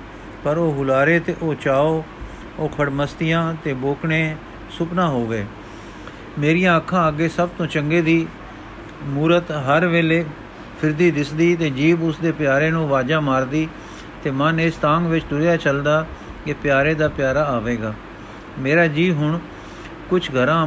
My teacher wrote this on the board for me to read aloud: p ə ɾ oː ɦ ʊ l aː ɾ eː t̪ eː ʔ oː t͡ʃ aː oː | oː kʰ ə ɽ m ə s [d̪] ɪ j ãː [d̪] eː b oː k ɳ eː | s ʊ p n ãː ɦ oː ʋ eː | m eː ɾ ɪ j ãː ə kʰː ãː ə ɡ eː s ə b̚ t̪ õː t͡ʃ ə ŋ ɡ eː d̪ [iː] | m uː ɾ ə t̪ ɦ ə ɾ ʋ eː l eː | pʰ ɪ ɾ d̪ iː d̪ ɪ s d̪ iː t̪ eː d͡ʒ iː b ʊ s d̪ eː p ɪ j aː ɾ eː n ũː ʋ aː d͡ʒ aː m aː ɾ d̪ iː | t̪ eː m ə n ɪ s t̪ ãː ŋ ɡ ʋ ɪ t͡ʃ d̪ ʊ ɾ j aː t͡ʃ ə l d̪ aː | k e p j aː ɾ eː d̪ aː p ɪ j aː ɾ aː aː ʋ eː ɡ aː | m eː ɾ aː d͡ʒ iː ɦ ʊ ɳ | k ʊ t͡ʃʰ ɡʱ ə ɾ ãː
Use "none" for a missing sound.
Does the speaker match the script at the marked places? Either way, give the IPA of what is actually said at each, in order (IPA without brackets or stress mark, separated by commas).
t̪, t̪, iː